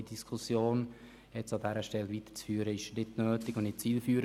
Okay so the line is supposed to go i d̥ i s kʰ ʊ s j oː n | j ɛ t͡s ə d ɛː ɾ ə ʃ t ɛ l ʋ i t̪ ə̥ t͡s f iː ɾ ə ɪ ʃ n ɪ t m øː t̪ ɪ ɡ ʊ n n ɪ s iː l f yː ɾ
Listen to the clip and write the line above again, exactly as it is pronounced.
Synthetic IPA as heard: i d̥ i s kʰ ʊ s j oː n | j ɛ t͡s ɑ d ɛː ɾ ə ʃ t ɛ l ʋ i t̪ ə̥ t͡s f yː ɾ ə ɪ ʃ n ɪ t n øː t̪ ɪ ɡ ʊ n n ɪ t͡s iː l f yː ɾ